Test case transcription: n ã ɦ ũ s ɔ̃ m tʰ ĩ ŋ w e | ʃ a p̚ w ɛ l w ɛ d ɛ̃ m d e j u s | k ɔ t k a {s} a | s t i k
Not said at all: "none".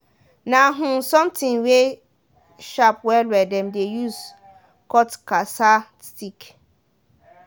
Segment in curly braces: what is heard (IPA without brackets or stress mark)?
s